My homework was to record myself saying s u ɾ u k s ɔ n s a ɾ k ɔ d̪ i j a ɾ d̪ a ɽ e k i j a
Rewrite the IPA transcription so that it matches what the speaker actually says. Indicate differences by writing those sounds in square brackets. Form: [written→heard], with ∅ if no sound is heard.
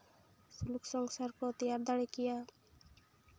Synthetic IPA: s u [ɾ→l] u k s ɔ [n→ŋ] s a ɾ k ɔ [d̪→t̪] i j a ɾ d̪ a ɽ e k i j a